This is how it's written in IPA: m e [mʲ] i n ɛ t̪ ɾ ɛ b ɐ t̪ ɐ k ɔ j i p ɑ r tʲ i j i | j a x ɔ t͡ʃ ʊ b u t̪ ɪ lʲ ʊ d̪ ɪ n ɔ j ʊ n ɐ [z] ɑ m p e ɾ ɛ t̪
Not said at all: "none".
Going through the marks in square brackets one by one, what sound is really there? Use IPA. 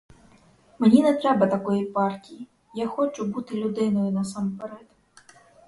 nʲ, s

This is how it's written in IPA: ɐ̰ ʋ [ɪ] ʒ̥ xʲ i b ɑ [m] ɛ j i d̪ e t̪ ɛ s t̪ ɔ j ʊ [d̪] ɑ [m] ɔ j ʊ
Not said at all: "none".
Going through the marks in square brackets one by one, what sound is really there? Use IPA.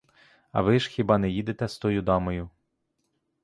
ɪ, n, d̪, m

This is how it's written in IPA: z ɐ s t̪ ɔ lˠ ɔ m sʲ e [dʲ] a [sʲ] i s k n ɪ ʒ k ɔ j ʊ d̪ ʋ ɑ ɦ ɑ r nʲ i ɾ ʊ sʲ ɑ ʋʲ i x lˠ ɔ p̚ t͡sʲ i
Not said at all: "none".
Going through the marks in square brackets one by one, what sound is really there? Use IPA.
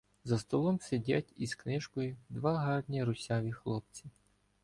dʲ, tʲ

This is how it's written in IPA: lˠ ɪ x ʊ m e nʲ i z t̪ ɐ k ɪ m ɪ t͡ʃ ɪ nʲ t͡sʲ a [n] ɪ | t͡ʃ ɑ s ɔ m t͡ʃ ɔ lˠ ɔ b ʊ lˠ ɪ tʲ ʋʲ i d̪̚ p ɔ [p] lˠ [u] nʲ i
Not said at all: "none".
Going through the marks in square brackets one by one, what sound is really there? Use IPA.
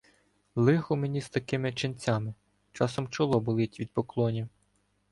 m, k, ɔ

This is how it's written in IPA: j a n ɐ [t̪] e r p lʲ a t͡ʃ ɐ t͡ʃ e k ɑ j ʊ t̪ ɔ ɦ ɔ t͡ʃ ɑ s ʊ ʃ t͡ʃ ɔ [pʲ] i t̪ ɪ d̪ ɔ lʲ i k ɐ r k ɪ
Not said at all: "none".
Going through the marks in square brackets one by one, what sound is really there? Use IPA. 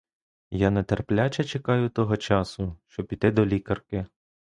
t̪, pʲ

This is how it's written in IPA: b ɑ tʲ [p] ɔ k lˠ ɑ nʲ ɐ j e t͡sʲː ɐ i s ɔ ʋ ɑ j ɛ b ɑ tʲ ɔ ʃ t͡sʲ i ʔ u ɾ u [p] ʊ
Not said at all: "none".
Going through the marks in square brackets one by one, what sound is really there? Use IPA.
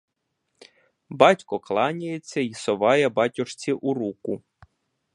k, k

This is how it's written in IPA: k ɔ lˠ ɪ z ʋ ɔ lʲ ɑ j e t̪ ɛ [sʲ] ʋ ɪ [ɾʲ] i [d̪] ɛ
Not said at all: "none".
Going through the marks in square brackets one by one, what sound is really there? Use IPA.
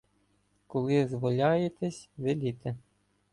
sʲ, lʲ, t̪

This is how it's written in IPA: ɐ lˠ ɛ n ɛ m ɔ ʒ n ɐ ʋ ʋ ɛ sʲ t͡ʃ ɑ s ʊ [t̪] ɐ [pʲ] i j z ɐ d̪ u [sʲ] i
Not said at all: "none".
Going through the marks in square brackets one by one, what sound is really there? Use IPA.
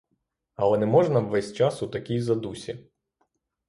t̪, kʲ, sʲ

